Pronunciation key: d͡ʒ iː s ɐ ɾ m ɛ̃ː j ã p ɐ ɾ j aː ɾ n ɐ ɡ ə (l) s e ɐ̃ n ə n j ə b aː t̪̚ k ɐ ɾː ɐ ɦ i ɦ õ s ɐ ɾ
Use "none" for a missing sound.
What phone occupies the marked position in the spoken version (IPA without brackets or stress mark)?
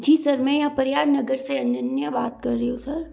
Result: ɾ